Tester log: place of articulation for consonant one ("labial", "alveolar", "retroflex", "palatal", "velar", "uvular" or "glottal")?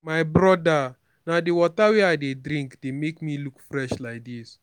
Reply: labial